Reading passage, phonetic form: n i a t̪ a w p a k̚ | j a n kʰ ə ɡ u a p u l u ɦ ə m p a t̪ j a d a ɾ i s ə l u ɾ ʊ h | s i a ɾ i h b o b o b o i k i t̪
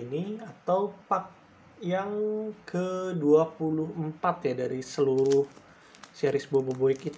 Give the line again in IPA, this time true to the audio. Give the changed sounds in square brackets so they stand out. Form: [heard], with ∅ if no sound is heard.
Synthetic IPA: n i a t̪ a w p a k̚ | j a [ŋ] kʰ ə [d] u a p u l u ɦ ə m p a t̪ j a d a ɾ i s ə l u ɾ ʊ h | s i a ɾ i [s] b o b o b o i k i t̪